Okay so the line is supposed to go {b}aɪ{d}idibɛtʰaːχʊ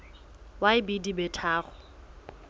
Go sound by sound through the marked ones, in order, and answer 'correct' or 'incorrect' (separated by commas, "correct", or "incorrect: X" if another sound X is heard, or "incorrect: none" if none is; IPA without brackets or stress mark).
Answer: incorrect: w, incorrect: b